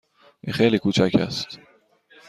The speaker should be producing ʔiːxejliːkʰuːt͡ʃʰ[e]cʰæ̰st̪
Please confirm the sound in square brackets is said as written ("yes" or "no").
no